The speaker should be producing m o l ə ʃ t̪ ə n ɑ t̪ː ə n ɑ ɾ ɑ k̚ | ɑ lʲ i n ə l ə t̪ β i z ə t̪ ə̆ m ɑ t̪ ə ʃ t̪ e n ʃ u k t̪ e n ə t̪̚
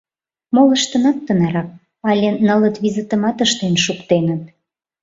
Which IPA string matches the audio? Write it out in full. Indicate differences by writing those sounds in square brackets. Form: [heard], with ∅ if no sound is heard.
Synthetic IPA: m o l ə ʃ t̪ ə n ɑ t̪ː ə n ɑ ɾ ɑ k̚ | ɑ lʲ [e] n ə l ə t̪ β i z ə t̪ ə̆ m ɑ t̪ ə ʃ t̪ e n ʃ u k t̪ e n ə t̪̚